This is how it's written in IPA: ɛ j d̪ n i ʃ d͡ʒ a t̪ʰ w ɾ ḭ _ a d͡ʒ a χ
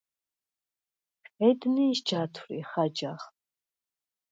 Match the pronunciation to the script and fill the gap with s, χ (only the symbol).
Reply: χ